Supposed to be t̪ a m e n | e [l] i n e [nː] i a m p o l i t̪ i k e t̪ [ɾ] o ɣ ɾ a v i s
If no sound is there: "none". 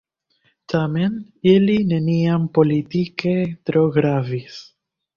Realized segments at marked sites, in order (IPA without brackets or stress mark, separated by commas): l, n, ɾ